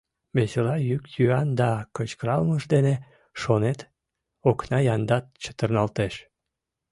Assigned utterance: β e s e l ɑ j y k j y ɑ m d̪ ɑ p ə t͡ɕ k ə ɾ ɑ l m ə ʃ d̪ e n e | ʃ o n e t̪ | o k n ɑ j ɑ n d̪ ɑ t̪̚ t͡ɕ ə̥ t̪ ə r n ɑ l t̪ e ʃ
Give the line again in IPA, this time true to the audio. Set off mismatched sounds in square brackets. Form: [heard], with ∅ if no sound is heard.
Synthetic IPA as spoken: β e s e l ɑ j y k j y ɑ [n] d̪ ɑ [k] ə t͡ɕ k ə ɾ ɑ l m ə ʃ d̪ e n e | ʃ o n e t̪ | o k n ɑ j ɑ n d̪ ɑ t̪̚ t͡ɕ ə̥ t̪ ə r n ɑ l t̪ e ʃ